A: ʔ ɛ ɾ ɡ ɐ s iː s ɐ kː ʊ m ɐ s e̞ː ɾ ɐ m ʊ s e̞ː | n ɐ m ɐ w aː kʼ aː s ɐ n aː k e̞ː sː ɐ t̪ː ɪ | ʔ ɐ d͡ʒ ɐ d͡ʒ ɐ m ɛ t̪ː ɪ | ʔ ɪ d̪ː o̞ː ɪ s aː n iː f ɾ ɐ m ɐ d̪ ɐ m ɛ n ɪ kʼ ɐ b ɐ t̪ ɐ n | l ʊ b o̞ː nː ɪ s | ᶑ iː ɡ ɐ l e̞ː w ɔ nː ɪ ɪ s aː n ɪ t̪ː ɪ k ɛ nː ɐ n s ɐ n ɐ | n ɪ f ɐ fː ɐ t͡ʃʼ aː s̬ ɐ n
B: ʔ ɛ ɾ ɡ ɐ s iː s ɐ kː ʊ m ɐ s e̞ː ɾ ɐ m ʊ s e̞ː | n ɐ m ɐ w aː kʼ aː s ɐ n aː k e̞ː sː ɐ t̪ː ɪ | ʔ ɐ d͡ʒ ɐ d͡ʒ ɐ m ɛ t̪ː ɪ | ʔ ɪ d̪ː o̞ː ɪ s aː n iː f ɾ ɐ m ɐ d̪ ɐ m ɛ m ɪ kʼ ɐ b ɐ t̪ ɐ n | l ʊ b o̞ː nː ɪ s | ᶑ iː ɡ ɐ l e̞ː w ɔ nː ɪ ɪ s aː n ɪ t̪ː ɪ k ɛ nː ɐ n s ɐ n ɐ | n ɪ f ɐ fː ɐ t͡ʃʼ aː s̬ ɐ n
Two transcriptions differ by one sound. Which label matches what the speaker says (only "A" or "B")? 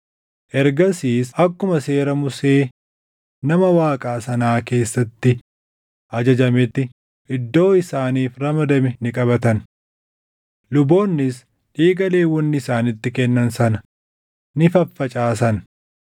A